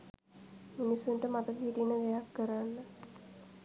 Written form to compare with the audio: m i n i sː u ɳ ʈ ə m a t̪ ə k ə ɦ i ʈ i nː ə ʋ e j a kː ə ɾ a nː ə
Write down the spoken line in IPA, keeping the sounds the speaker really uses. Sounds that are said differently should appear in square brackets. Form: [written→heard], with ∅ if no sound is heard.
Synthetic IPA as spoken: m i n i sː u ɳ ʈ ə m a t̪ ə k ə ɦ i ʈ i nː ə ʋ e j a kː ə ɾ a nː ə